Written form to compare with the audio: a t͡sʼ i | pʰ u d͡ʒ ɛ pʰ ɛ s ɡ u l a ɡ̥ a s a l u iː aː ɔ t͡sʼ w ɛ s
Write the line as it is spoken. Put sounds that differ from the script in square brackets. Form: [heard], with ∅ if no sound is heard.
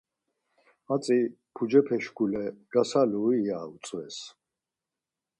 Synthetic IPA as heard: a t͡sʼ i | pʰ u d͡ʒ ɛ pʰ ɛ [ʃ] ɡ u l [ɛ] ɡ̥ a s a l u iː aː [u] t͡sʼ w ɛ s